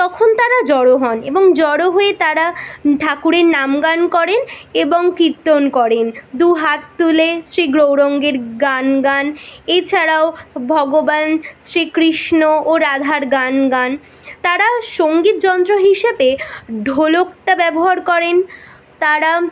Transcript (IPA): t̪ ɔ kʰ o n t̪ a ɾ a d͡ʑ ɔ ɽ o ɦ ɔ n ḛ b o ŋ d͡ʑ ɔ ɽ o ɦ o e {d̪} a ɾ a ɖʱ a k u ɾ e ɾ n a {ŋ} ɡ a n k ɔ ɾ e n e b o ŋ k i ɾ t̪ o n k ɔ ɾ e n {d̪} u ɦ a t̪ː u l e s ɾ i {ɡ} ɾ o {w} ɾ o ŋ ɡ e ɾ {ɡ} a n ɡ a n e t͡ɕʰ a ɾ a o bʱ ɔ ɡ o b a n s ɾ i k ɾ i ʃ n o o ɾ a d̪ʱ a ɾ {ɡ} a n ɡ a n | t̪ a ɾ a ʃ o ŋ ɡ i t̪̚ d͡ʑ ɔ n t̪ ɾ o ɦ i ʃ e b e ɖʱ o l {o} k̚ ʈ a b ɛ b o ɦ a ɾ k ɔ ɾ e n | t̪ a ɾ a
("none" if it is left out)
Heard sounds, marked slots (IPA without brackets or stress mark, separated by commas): t̪, m, d̪, ɡ, w, ɡ, ɡ, o